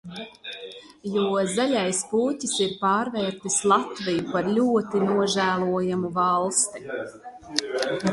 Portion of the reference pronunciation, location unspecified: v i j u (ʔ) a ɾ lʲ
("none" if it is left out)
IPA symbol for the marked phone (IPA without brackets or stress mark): p